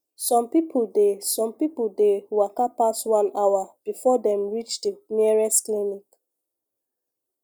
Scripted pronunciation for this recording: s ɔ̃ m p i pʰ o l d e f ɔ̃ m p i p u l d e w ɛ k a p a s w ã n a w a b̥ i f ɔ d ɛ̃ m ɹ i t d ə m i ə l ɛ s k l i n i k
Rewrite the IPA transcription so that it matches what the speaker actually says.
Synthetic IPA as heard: s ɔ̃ m p i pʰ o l d e s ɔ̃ m p i p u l d e w a k a p a s w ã n a w a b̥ i f ɔ d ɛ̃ m ɹ i t͡ʃ d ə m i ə ɹ ɛ s k l i n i k